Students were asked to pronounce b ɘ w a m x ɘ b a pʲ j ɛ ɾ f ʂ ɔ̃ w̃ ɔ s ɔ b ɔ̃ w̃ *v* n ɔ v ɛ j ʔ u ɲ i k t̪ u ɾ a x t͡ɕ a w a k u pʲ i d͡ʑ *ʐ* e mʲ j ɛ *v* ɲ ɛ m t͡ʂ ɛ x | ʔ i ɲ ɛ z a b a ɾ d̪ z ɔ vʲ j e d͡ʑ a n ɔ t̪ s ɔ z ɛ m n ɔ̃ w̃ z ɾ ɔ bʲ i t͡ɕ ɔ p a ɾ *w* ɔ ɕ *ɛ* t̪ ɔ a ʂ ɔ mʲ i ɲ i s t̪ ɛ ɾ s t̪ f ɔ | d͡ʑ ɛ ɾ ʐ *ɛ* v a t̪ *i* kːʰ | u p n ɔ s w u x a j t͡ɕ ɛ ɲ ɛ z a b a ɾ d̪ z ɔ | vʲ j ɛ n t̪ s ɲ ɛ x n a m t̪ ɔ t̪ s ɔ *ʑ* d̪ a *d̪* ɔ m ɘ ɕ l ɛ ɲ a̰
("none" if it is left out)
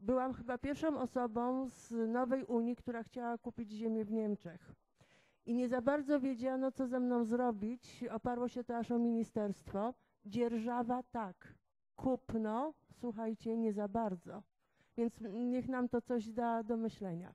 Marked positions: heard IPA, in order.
z, ʑ, v, w, ɛ, a, a, ʑ, d̪

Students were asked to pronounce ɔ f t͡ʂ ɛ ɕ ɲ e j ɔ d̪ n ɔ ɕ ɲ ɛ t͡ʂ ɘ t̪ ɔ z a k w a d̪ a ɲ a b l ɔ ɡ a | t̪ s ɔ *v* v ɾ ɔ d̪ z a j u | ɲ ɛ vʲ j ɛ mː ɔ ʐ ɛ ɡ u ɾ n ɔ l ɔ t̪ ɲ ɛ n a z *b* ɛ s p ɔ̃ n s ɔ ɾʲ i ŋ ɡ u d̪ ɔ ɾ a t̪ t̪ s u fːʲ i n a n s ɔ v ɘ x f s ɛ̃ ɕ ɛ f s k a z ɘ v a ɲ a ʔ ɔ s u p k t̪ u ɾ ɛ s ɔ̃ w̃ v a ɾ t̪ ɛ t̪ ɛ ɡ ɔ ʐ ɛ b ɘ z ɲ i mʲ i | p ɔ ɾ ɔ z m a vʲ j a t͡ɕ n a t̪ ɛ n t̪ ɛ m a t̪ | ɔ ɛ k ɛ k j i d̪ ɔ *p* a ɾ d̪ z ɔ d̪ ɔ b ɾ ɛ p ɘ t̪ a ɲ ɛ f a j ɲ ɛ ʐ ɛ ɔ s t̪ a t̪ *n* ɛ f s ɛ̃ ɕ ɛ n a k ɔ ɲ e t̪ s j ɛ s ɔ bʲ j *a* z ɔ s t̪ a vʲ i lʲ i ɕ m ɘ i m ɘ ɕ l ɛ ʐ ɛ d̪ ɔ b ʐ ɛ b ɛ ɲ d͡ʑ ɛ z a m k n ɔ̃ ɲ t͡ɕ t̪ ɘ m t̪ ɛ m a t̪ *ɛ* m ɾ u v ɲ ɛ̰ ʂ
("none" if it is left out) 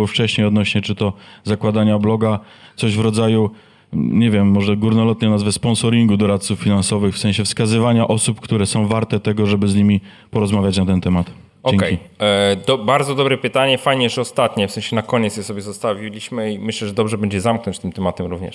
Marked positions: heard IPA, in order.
ʑ, v, b, ɲ, ɛ, ɛ

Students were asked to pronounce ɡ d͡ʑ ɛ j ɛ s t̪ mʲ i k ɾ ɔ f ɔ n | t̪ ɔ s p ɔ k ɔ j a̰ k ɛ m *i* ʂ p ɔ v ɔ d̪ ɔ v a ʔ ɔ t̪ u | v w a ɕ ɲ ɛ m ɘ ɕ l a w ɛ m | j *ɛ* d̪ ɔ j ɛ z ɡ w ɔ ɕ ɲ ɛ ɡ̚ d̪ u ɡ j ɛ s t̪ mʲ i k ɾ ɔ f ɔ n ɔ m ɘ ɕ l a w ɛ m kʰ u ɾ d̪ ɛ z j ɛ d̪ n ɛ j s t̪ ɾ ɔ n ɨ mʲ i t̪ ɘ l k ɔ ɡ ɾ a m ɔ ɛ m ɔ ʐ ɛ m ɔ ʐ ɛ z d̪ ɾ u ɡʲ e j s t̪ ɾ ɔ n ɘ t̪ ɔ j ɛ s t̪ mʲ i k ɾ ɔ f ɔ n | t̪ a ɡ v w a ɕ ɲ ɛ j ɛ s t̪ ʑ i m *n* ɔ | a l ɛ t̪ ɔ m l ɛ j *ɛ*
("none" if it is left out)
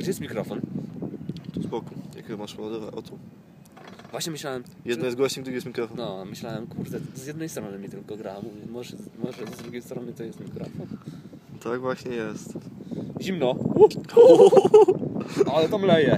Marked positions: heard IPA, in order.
a, ɛ, n, ɛ

